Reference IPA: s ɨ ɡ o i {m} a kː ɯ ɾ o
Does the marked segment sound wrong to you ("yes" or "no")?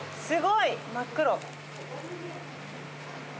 no